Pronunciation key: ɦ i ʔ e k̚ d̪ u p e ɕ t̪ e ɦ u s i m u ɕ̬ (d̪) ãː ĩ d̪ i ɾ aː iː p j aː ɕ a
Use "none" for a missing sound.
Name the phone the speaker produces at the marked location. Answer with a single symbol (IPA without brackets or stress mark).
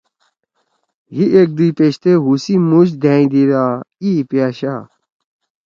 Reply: d̪